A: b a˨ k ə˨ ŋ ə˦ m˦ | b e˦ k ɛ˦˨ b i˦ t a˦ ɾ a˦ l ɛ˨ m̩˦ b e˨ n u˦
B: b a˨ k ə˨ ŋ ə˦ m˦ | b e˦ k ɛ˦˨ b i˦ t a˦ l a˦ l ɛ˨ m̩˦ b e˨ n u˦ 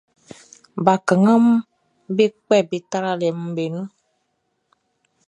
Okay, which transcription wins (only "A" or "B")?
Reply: A